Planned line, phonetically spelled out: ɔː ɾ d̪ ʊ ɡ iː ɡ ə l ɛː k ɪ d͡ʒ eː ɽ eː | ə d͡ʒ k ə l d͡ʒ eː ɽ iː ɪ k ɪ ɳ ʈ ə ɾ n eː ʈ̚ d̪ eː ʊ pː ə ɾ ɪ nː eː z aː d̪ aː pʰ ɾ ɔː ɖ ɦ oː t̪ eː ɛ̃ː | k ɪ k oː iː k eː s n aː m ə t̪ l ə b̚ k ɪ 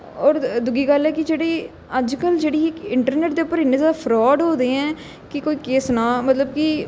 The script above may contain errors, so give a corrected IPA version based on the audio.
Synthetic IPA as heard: ɔː ɾ d̪ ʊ ɡ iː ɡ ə l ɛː k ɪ d͡ʒ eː ɽ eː | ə d͡ʒ k ə l d͡ʒ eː ɽ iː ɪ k ɪ ɳ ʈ ə ɾ n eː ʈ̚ d̪ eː ʊ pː ə ɾ ɪ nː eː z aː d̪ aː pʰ ɾ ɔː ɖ ɦ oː d̪ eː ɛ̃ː | k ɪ k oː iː k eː s n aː m ə t̪ l ə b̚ k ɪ